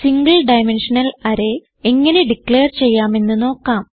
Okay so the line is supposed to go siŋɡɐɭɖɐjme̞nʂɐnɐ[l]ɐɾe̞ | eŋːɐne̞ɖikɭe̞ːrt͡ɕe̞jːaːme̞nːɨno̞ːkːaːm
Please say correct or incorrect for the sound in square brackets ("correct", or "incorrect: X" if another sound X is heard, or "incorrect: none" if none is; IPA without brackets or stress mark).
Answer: correct